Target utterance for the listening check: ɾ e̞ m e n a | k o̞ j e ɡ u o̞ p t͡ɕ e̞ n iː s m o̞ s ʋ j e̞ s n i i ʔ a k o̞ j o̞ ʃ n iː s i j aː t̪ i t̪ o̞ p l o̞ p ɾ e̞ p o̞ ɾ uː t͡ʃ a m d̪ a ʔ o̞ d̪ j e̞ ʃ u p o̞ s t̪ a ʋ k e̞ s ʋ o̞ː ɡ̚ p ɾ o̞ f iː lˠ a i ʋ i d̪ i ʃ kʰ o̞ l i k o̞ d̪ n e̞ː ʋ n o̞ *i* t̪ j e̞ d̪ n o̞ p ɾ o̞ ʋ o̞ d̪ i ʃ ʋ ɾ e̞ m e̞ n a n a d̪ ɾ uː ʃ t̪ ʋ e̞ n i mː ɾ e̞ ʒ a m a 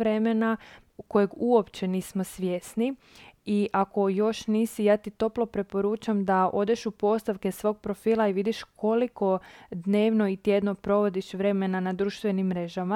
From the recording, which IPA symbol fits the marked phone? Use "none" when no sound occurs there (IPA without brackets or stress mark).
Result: i